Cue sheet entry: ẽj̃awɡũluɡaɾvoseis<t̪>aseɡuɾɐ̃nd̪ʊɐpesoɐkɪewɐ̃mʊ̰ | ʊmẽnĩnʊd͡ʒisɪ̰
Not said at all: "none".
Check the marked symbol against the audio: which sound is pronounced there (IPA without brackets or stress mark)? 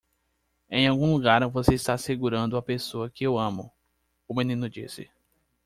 t̪